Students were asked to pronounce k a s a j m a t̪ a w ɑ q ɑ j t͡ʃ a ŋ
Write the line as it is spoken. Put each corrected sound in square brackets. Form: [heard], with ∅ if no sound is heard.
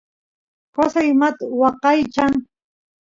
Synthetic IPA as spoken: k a s a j m a t̪ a w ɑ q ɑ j t͡ʃ a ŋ